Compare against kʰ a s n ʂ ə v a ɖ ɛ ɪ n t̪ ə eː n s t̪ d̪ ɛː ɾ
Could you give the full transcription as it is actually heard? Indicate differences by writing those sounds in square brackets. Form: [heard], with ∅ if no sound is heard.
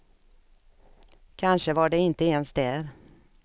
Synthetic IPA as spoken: kʰ a [∅] n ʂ ə v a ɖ ɛ ɪ n t̪ ə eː n s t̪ d̪ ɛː ɾ

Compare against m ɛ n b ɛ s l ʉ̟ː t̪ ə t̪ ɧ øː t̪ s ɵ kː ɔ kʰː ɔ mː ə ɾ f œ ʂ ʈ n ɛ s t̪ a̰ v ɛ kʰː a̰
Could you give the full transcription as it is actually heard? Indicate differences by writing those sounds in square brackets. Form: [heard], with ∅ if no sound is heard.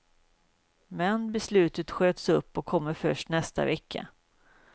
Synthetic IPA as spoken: m ɛ n b ɛ s l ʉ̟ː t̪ ə t̪ ɧ øː t̪ s ɵ [pː] ɔ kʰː ɔ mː ə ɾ f œ ʂ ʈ n ɛ s t̪ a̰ v ɛ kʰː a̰

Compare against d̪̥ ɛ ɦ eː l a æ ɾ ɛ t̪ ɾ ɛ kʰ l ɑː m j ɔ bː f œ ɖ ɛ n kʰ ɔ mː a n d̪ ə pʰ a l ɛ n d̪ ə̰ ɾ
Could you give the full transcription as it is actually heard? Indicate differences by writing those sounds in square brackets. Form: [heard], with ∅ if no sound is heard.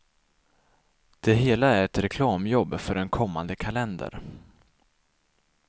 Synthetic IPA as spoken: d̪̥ ɛ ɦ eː l a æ ɾ ɛ t̪ ɾ ɛ kʰ l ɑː m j ɔ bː f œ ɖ ɛ n kʰ ɔ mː a n d̪ ə [kʰ] a l ɛ n d̪ ə̰ ɾ

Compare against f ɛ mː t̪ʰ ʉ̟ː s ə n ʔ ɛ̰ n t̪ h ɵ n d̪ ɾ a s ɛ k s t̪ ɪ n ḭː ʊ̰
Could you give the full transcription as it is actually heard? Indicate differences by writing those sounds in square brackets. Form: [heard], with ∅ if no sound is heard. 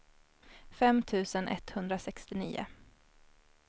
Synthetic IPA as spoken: f ɛ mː t̪ʰ ʉ̟ː s ə n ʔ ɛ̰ [∅] t̪ h ɵ n d̪ ɾ a s ɛ k s t̪ ɪ n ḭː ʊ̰

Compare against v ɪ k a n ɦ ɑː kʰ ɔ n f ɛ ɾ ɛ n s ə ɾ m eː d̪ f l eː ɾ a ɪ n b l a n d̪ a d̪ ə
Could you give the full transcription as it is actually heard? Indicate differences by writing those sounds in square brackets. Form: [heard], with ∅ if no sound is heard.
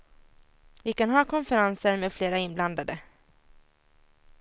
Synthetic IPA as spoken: v ɪ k a n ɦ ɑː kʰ ɔ n f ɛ ɾ [a] n s ə ɾ m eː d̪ f l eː ɾ a ɪ n b l a n d̪ a d̪ ə

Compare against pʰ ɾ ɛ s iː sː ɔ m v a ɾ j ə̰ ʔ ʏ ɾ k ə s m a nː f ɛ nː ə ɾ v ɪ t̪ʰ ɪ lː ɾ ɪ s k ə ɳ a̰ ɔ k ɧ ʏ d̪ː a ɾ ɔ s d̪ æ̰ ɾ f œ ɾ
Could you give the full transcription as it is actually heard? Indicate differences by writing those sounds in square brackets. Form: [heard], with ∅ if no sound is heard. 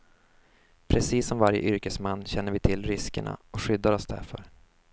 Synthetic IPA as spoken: pʰ ɾ ɛ s iː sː ɔ m v a ɾ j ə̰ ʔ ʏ ɾ k ə s m a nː [ɕ] ɛ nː ə ɾ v ɪ t̪ʰ ɪ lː ɾ ɪ s k ə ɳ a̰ ɔ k ɧ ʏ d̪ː a ɾ ɔ s d̪ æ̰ ɾ f œ ɾ

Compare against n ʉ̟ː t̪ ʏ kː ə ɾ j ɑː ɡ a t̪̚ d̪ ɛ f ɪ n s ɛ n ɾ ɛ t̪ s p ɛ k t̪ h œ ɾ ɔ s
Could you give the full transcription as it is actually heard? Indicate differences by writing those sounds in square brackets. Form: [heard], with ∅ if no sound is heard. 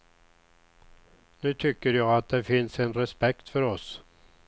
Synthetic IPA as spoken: n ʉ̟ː [t̪ʰ] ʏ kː ə ɾ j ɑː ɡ a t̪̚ d̪ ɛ f ɪ n s ɛ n ɾ ɛ [∅] s p ɛ k t̪ [f] œ ɾ ɔ s

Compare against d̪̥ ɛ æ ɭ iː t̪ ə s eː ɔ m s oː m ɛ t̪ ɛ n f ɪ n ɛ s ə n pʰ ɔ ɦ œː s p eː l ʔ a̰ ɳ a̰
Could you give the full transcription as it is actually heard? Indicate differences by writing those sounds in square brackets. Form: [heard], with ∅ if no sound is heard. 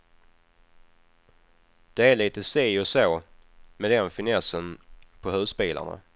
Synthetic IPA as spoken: d̪̥ ɛ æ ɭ iː t̪ ə s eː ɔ [∅] s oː m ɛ [d̪] ɛ n f ɪ n ɛ s ə n pʰ ɔ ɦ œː s p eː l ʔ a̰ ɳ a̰

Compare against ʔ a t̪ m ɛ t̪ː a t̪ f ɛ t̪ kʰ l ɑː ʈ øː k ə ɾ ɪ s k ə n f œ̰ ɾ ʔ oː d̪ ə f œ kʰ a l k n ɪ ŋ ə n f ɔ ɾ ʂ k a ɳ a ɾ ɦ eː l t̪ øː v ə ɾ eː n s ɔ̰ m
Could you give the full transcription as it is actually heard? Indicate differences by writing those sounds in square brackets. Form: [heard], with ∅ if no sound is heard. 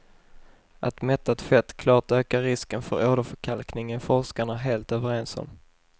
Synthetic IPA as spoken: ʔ a t̪ m ɛ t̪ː a t̪ f ɛ t̪ kʰ l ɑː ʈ øː k [a] ɾ ɪ s k ə n f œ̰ ɾ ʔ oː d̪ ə f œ kʰ a l k n ɪ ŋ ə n f ɔ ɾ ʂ k a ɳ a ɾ ɦ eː l t̪ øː v ə ɾ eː n s ɔ̰ m

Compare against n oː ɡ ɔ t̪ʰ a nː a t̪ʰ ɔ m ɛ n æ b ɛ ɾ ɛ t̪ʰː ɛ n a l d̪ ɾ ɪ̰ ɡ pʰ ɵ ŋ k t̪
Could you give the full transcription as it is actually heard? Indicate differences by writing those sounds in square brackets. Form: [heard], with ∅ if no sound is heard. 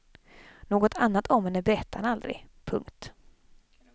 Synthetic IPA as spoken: n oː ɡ ɔ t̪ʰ a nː a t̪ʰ ɔ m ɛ n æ b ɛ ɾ ɛ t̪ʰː [a] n a l d̪ ɾ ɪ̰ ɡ pʰ ɵ ŋ k t̪

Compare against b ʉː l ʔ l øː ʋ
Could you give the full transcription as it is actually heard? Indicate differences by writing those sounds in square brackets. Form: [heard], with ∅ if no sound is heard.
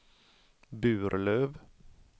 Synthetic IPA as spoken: b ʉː [ɾ] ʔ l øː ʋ

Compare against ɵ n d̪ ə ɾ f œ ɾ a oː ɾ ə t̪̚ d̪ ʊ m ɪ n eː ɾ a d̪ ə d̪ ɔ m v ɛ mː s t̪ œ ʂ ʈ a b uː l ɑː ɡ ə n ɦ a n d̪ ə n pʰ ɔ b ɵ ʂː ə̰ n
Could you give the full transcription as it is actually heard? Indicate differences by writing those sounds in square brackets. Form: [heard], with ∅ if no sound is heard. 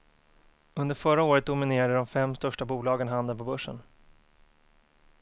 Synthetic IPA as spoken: ɵ n d̪ ə ɾ f œ ɾ a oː ɾ ə t̪̚ d̪ ʊ m ɪ n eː ɾ a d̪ ə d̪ ɔ m [f] ɛ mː s t̪ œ ʂ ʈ a b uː l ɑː ɡ ə n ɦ a n d̪ ə n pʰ ɔ b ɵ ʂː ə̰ n

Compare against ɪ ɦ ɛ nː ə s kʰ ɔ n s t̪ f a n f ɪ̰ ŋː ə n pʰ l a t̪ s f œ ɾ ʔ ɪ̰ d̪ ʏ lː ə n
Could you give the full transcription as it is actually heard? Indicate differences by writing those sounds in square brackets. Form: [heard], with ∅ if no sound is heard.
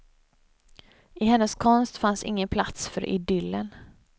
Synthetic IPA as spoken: ɪ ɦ ɛ nː ə s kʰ ɔ n s t̪ f a n [s] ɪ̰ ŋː ə n pʰ l a t̪ s f œ ɾ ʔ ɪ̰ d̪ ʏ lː ə n

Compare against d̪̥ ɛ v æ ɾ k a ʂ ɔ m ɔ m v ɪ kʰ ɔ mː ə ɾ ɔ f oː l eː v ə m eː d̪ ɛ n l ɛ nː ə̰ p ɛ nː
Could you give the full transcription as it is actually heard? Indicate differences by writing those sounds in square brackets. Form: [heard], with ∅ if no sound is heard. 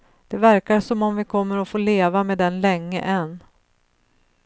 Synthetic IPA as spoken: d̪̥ ɛ v æ ɾ k a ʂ ɔ m ɔ m v ɪ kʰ ɔ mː ə ɾ ɔ f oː l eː v [a] m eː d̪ ɛ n l ɛ [ŋː] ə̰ [ʔ] ɛ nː

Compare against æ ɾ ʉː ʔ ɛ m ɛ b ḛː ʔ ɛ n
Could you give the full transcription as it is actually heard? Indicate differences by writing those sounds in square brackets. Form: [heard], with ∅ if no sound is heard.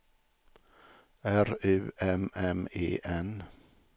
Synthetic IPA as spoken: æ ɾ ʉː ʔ ɛ m ɛ [m] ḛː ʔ ɛ n

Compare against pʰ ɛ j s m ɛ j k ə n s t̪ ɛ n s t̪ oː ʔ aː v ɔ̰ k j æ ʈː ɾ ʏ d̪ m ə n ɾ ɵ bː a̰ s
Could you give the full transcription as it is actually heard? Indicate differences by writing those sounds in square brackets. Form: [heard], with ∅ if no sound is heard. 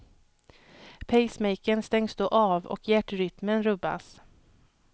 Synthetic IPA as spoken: pʰ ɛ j s m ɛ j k ə n s t̪ ɛ [ŋ] s [d̪] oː ʔ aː v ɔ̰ k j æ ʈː ɾ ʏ [t̪] m ə n ɾ ɵ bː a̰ s

